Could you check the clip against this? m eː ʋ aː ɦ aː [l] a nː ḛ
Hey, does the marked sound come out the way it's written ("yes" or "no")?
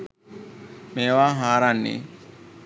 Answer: no